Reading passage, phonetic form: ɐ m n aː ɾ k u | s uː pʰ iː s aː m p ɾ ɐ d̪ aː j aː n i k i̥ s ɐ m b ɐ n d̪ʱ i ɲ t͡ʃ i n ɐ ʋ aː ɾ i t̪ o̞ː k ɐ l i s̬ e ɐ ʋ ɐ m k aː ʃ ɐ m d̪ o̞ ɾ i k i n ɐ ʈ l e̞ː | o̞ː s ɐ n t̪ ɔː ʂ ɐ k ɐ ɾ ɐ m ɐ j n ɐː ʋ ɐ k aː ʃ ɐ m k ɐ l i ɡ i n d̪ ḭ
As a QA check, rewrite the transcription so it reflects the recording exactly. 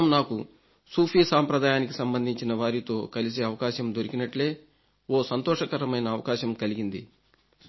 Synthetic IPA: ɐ m n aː k u | s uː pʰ iː s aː m p ɾ ɐ d̪ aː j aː n i k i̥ s ɐ m b ɐ n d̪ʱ i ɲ t͡ʃ i n ɐ ʋ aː ɾ i t̪ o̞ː k ɐ l i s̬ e ɐ ʋ ɐ k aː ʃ ɐ m d̪ o̞ ɾ i k i n ɐ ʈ l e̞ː | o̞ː s ɐ n t̪ ɔː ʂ ɐ k ɐ ɾ ɐ m ɐ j n ɐː ʋ ɐ k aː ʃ ɐ m k ɐ l i ɡ i n d̪ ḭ